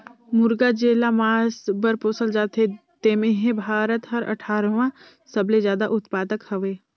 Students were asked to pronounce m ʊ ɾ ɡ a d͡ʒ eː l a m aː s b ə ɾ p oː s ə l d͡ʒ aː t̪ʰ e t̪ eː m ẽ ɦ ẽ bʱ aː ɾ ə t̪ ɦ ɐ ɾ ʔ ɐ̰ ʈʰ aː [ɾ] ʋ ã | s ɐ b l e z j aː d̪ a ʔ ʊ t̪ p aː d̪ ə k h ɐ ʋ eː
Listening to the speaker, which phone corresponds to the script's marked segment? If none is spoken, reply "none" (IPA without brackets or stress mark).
ɾ